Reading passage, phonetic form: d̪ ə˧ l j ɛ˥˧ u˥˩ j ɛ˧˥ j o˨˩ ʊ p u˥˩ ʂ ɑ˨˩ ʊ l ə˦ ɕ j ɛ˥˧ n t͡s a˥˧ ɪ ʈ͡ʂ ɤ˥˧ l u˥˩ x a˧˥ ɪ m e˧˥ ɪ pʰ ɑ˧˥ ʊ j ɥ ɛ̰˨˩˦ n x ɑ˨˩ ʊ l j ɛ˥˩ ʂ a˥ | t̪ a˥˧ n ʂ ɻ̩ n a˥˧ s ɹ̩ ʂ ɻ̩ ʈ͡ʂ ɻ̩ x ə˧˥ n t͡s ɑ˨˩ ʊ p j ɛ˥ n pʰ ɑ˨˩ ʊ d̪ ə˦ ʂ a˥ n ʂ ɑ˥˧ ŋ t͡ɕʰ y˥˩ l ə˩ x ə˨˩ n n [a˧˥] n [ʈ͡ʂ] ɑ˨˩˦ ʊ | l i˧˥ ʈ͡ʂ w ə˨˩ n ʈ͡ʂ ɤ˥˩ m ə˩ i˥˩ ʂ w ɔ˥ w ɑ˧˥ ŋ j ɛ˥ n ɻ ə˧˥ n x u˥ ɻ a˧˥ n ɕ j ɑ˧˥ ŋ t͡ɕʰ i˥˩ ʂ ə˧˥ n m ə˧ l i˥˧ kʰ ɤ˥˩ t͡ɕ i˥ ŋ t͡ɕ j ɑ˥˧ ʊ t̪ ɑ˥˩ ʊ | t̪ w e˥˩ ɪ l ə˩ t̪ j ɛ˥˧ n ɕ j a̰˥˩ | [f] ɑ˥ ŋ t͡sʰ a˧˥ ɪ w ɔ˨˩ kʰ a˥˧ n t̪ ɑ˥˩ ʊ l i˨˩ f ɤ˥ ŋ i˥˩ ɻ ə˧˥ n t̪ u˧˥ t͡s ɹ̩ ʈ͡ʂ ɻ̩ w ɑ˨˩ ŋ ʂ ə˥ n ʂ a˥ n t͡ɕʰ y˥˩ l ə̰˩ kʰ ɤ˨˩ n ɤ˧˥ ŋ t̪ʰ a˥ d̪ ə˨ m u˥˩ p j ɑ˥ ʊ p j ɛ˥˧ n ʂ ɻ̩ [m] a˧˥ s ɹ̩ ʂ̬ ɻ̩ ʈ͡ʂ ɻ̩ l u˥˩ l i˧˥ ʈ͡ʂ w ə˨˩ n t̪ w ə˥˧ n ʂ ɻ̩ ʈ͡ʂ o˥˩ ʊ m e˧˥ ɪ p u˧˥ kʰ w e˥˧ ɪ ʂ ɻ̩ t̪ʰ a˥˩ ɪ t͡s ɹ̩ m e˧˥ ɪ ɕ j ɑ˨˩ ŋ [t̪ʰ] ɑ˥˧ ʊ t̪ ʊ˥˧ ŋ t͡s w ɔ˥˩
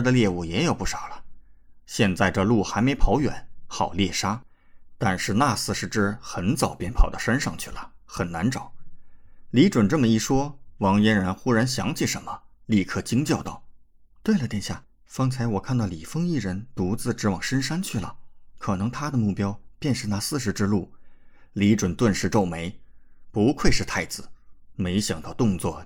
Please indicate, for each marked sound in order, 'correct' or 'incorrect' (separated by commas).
correct, correct, correct, incorrect, incorrect